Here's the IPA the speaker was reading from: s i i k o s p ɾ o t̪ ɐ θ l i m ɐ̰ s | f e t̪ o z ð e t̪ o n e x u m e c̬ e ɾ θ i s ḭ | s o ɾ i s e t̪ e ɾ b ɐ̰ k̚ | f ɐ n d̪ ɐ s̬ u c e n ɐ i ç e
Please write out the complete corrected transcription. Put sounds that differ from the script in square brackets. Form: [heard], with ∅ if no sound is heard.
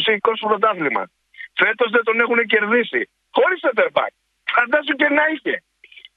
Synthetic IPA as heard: s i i k o s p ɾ o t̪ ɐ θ l i m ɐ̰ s | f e t̪ o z ð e t̪ o n e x u [n] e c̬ e ɾ [ð] i s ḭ | [x] o ɾ i s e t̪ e ɾ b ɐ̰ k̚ | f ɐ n d̪ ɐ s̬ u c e n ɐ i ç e